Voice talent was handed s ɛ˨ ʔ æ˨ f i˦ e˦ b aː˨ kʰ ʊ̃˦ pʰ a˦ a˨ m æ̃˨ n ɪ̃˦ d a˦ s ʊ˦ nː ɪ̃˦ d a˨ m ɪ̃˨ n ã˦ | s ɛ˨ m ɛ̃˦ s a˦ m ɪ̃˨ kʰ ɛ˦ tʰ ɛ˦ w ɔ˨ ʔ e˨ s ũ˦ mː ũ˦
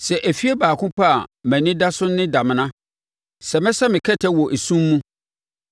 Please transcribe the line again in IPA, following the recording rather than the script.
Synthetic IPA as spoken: s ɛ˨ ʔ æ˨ f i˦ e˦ b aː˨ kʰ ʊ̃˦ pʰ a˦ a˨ m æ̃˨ n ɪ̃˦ d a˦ s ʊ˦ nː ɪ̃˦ d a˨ m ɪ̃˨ n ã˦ | s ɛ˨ m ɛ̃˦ s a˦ m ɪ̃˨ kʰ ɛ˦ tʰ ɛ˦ w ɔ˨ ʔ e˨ s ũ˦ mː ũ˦

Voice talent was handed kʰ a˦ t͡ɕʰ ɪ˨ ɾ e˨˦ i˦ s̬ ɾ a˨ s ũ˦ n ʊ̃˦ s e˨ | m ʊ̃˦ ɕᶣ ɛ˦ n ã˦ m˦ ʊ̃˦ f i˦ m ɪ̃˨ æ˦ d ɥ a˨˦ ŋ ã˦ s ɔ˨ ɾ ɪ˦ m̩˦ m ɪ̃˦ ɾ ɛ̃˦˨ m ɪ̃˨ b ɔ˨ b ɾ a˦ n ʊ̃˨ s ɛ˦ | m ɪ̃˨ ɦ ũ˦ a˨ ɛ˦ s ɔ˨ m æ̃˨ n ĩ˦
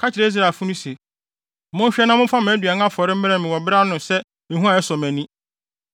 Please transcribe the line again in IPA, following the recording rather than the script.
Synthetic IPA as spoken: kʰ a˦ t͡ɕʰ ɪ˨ ɾ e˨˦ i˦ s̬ ɾ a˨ f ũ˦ n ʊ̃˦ s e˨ | m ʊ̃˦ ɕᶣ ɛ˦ n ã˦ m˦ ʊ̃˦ f a˦ m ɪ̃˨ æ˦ d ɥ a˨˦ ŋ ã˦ f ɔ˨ ɾ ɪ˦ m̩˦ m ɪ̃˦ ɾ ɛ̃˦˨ m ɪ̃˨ w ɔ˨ b ɾ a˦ n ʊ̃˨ s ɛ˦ | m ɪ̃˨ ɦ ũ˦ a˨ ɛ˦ s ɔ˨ m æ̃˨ n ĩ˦

